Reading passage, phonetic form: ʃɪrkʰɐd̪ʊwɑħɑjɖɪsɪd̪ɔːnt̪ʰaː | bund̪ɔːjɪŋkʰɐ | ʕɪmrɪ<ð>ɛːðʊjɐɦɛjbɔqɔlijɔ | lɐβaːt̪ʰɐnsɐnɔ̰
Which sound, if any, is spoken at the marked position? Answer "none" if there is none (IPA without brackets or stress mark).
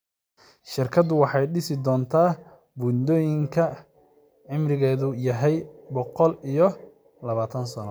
ɣ